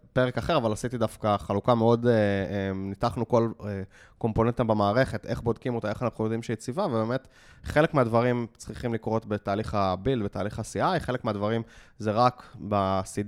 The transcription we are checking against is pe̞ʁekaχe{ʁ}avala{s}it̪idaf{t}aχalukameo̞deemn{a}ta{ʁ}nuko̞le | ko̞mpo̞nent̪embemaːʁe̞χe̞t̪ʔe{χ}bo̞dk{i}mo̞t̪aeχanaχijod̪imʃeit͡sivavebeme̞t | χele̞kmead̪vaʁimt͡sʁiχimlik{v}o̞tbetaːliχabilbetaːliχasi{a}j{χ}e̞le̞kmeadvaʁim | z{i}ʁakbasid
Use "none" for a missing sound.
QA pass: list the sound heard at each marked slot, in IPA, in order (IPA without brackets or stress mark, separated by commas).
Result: ʁ, s, k, i, χ, χ, i, ʁ, a, χ, e